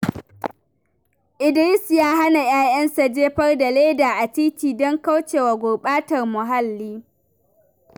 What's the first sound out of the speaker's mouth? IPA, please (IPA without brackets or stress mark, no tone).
ʔ